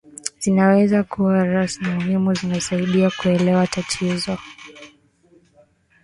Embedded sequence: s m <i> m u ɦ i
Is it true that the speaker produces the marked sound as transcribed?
yes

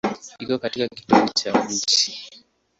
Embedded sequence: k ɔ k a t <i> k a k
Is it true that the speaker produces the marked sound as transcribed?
yes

